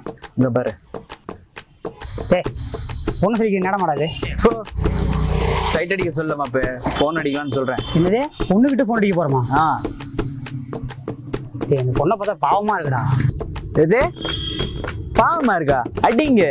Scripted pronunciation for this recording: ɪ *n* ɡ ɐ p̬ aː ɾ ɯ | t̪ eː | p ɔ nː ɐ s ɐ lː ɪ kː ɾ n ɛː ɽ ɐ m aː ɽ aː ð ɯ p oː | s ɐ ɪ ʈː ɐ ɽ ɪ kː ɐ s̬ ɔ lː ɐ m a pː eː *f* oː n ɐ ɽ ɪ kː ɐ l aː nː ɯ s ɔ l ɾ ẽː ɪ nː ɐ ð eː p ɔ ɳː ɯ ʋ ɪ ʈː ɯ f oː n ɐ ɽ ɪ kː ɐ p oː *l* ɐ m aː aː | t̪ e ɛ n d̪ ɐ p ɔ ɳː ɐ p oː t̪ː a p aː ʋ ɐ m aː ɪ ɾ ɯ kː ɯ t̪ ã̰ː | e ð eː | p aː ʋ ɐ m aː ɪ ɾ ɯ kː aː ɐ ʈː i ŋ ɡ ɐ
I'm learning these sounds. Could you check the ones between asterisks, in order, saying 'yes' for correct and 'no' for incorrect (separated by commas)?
no, yes, no